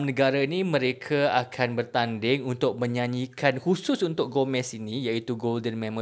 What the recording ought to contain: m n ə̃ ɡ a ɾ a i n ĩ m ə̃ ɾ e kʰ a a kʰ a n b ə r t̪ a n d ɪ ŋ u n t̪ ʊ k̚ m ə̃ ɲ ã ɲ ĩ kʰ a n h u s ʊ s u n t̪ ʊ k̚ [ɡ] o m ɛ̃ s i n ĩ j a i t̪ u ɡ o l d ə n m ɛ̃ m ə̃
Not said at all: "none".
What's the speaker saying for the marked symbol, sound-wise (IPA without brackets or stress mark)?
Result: ɡ